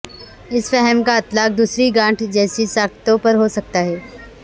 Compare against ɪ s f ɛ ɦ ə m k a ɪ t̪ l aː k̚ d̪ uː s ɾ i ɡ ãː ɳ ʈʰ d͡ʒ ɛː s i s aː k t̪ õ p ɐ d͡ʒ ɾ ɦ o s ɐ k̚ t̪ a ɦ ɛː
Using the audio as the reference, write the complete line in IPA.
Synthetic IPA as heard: ɪ s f ɛ ɦ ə m k a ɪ t̪ l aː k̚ d̪ uː s ɾ i ɡ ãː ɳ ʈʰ d͡ʒ ɛː s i s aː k t̪ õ p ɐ ɾ ɦ o s ɐ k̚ t̪ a ɦ ɛː

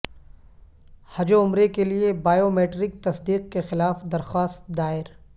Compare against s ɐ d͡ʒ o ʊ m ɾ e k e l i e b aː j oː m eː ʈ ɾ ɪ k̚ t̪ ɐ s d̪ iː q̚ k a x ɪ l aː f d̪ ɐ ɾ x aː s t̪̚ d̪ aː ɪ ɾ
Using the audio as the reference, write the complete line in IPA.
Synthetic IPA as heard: h ɐ d͡ʒ o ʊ m ɾ e k e l i e b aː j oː m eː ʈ ɾ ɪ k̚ t̪ ɐ s d̪ iː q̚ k e x ɪ l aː f d̪ ɐ ɾ x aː s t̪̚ d̪ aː ɪ ɾ

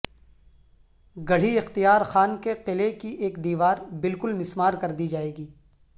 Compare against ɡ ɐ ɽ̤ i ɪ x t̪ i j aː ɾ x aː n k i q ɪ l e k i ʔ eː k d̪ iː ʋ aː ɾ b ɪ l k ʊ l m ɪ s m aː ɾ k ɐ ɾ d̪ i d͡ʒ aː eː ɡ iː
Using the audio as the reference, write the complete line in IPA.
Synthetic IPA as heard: ɡ ɐ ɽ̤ i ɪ x t̪ i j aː ɾ x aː n k e q ɪ l e k i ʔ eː k d̪ iː ʋ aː ɾ b ɪ l k ʊ l m ɪ s m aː ɾ k ɐ ɾ d̪ i d͡ʒ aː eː ɡ iː

